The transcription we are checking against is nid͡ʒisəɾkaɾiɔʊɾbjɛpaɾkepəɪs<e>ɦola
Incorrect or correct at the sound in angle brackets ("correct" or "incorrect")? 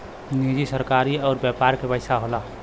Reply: incorrect